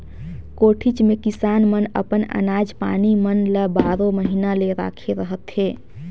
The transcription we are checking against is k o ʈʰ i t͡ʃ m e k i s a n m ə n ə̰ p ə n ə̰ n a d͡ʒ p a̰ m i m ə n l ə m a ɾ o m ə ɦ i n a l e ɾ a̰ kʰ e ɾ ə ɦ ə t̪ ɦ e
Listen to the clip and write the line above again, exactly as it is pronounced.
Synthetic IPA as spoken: k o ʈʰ i t͡ʃ m e k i s a n m ə n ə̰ p ə n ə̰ n a d͡ʒ p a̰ n i m ə n l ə b a ɾ o m ə ɦ i n a l e ɾ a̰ kʰ e ɾ ə ɦ ə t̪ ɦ e